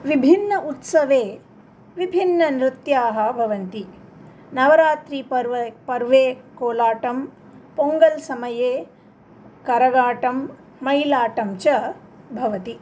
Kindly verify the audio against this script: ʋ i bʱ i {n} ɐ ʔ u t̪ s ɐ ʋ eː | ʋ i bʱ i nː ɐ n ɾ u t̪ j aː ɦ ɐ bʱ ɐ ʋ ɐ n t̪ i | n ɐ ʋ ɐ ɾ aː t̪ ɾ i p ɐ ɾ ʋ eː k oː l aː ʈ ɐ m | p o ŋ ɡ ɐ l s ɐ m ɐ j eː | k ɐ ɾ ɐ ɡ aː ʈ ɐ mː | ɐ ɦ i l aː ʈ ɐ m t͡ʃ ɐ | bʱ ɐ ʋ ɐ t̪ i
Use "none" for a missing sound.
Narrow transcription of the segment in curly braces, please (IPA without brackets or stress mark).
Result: nː